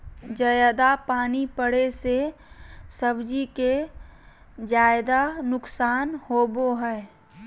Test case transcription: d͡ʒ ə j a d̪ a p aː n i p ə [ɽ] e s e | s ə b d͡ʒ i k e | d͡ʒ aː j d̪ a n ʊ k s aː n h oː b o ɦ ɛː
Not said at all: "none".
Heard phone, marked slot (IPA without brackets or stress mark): ɽ